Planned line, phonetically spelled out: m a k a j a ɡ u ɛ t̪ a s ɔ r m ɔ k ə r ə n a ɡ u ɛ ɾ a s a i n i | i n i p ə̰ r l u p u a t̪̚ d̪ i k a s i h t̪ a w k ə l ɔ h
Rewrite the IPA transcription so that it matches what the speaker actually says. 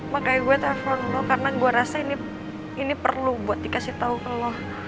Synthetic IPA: m a k a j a ɡ u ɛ t̪ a f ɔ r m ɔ k a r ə n a ɡ u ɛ ɾ a s a i n i | i n i p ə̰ r l u b u a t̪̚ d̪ i k a s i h t̪ a u k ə l ɔ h